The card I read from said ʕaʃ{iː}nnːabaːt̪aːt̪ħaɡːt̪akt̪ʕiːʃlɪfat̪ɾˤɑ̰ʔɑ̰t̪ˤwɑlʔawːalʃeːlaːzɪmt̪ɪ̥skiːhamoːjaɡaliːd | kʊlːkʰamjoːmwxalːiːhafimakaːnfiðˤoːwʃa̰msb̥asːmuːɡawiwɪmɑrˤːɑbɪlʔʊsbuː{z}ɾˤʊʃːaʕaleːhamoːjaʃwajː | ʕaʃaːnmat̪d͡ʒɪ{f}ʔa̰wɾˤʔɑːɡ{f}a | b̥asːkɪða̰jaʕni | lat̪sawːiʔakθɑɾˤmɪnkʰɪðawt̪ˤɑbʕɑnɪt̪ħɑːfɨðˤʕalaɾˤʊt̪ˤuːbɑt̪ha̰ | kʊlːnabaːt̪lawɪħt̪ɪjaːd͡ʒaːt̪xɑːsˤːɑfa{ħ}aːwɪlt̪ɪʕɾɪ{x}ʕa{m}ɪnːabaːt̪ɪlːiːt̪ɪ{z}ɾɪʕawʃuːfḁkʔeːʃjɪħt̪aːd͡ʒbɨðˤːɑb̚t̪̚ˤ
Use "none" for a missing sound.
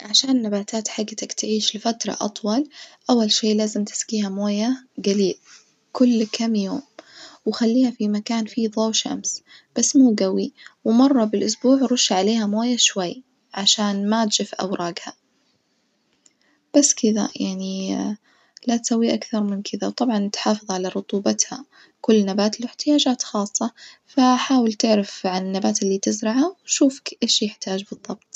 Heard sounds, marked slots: aː, ʕ, f, h, ħ, f, n, z

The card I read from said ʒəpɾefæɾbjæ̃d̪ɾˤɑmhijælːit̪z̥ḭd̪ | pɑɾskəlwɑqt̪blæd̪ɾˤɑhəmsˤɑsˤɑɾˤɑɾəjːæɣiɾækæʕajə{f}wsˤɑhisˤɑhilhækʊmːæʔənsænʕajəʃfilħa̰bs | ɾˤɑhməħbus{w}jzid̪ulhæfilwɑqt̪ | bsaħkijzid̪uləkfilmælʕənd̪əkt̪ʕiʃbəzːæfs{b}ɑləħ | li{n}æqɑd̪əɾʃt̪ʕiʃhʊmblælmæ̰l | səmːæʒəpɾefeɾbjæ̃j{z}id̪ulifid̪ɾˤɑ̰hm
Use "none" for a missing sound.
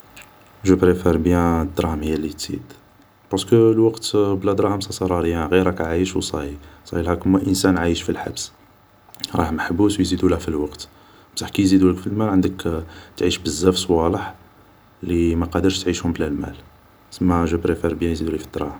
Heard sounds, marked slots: ʃ, w, w, m, z

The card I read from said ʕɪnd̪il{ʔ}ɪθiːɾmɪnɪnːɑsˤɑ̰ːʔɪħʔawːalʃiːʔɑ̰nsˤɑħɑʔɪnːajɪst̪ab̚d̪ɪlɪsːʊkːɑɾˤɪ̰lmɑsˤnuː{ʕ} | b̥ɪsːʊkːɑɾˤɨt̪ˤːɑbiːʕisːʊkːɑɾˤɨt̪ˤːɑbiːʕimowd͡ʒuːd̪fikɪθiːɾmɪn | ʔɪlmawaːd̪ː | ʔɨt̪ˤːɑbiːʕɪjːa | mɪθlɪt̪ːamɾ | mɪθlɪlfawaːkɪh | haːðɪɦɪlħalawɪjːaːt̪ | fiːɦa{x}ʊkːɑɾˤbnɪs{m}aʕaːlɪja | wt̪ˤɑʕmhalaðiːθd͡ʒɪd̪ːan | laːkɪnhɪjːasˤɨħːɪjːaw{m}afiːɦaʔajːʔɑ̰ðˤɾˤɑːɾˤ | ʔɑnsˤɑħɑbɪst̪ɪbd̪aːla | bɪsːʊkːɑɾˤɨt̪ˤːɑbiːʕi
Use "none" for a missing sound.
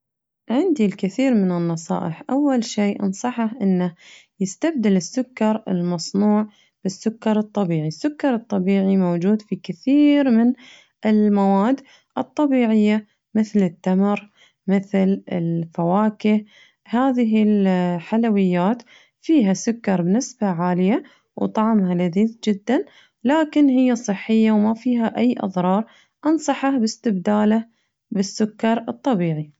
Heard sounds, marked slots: k, ʕ, s, b, m

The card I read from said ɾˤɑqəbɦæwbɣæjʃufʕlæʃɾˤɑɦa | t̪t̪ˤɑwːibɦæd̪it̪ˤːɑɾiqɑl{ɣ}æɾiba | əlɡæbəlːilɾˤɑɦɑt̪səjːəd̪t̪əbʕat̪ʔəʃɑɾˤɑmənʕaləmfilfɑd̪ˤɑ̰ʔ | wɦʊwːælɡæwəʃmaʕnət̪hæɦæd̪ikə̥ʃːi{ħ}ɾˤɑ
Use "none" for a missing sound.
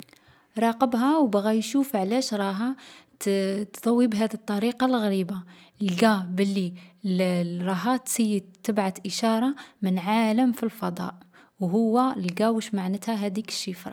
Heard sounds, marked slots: ɣ, f

